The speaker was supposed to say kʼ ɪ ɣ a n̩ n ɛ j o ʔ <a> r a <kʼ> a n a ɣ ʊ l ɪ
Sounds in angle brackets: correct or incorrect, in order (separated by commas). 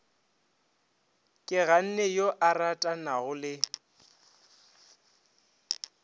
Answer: correct, incorrect